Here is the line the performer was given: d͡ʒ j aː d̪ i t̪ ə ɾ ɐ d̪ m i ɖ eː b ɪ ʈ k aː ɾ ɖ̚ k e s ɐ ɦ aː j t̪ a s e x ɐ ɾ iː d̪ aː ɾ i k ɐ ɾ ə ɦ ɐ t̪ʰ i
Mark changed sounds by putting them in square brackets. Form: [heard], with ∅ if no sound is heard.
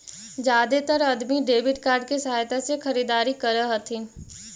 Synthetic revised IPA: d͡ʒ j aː d̪ [e] t̪ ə ɾ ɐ d̪ m i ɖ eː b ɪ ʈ k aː ɾ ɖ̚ k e s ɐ ɦ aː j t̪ a s e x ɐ ɾ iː d̪ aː ɾ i k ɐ ɾ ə ɦ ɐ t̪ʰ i